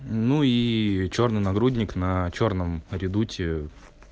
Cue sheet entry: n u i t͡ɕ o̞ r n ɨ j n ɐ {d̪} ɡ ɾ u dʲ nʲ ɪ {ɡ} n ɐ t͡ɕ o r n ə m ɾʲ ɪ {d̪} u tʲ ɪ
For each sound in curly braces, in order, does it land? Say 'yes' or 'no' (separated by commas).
no, no, yes